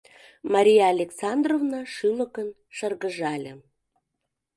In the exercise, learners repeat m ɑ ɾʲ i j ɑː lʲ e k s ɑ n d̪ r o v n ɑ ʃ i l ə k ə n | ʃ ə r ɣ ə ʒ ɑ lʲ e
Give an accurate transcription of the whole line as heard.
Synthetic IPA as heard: m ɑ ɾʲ i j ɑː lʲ e k s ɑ n d̪ r o v n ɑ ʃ y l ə k ə n | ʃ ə r ɣ ə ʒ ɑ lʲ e